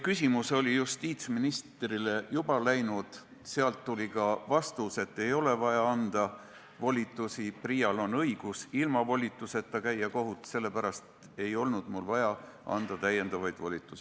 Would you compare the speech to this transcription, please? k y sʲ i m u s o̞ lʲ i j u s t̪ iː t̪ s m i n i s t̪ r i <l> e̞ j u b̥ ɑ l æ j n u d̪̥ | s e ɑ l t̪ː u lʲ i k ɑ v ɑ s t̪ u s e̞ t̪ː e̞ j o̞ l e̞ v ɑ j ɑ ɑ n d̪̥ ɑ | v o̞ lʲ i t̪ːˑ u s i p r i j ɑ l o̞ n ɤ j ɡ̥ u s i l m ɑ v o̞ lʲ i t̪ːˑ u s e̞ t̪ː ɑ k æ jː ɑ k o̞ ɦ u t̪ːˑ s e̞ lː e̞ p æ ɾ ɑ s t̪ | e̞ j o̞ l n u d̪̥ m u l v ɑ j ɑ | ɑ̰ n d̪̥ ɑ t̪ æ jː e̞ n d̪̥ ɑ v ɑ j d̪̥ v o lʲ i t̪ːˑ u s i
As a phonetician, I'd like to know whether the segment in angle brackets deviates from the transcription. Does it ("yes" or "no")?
no